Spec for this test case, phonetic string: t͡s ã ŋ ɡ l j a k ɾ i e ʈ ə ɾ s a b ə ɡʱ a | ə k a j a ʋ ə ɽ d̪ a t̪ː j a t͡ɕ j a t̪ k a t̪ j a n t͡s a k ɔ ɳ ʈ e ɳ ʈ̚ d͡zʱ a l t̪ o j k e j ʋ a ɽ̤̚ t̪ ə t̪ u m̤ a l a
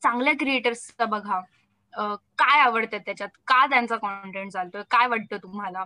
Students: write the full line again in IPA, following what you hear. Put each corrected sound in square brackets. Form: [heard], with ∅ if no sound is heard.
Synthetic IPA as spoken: t͡s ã ŋ ɡ l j a k ɾ i e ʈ ə ɾ s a b ə ɡʱ a | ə k a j a ʋ ə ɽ [t̪] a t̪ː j a t͡ɕ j a t̪ k a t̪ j a n t͡s a k ɔ ɳ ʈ e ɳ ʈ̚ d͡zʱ a l t̪ o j k [a] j ʋ a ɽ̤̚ t̪ ə t̪ u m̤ a l a